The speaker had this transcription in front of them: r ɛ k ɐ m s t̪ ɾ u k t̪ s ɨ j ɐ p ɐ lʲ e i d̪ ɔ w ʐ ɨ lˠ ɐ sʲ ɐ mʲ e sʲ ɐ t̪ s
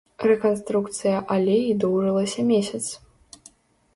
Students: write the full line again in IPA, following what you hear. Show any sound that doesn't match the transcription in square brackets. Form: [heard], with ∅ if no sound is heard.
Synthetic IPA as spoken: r ɛ k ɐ [n] s t̪ ɾ u k t̪ s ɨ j ɐ [ʔ] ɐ lʲ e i d̪ ɔ w ʐ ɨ lˠ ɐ sʲ ɐ mʲ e sʲ ɐ t̪ s